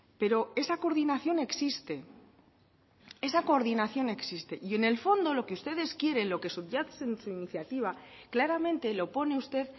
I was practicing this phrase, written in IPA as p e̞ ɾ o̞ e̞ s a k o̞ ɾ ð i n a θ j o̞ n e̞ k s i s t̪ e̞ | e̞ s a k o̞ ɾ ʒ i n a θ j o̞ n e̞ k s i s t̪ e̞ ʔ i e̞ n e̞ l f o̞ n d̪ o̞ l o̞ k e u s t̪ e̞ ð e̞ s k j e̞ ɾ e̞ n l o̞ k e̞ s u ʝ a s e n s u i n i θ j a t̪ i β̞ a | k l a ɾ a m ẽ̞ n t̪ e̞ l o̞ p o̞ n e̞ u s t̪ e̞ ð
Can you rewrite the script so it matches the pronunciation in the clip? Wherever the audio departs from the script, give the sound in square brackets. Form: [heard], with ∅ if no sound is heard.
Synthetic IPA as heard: p e̞ ɾ o̞ e̞ s a k o̞ ɾ ð i n a θ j o̞ n e̞ k s i s t̪ e̞ | e̞ s a k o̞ ɾ [ð] i n a θ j o̞ n e̞ k s i s t̪ e̞ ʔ i e̞ n e̞ l f o̞ n d̪ o̞ l o̞ k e u s t̪ e̞ ð e̞ s k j e̞ ɾ e̞ n l o̞ k e̞ s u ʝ a s e n s u i n i θ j a t̪ i β̞ a | k l a ɾ a m ẽ̞ n t̪ e̞ l o̞ p o̞ n e̞ u s t̪ e̞ ð

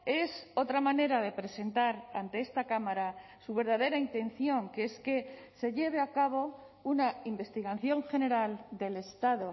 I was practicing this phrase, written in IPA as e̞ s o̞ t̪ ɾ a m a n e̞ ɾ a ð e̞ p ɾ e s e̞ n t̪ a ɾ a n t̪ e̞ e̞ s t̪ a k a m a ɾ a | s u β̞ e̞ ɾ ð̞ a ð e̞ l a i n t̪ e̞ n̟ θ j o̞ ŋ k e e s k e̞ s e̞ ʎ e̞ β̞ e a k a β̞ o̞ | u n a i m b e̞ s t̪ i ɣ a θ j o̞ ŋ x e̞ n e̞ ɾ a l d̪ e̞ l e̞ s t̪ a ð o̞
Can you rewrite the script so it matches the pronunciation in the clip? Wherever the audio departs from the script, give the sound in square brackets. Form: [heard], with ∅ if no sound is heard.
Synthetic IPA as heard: e̞ s o̞ t̪ ɾ a m a n e̞ ɾ a ð e̞ p ɾ e s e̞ n t̪ a ɾ a n t̪ e̞ e̞ s t̪ a k a m a ɾ a | s u β̞ e̞ ɾ ð̞ a ð e̞ [ɾ] a i n t̪ e̞ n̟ θ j o̞ ŋ k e e s k e̞ s e̞ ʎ e̞ β̞ e a k a β̞ o̞ | u n a i m b e̞ s t̪ i ɣ a θ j o̞ ŋ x e̞ n e̞ ɾ a l d̪ e̞ l e̞ s t̪ a ð o̞

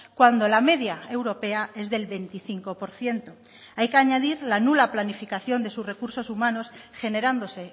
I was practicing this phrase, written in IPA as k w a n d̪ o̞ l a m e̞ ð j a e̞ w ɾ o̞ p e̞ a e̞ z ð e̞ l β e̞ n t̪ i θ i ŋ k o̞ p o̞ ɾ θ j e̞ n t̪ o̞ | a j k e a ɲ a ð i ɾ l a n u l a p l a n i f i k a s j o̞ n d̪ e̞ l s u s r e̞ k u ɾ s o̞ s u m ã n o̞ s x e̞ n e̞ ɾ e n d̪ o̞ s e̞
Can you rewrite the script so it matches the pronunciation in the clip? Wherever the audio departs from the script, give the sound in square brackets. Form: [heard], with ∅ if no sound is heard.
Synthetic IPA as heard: k w a n d̪ o̞ l a m e̞ ð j a e̞ w ɾ o̞ p e̞ a e̞ z ð e̞ l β e̞ n t̪ i θ i ŋ k o̞ p o̞ ɾ θ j e̞ n t̪ o̞ | a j k e a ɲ a ð i ɾ l a n u l a p l a n i f i k a [θ] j o̞ n d̪ e̞ [∅] s u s r e̞ k u ɾ s o̞ s u m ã n o̞ s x e̞ n e̞ ɾ [a] n d̪ o̞ s e̞

